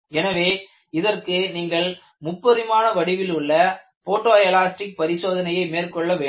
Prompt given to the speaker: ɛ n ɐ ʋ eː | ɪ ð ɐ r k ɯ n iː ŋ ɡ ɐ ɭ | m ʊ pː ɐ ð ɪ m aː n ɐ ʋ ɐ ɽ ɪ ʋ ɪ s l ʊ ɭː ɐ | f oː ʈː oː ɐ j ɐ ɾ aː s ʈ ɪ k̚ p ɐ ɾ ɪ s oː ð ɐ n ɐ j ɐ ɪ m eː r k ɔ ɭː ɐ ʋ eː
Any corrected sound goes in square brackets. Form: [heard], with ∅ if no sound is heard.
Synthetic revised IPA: ɛ n ɐ ʋ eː | ɪ ð ɐ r k ɯ n iː ŋ ɡ ɐ ɭ | m ʊ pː ɐ ð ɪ m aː n ɐ ʋ ɐ ɽ ɪ ʋ ɪ [∅] l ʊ ɭː ɐ | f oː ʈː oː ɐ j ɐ [l] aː s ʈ ɪ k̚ p ɐ ɾ ɪ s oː ð ɐ n ɐ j ɐ ɪ m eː r k ɔ ɭː ɐ ʋ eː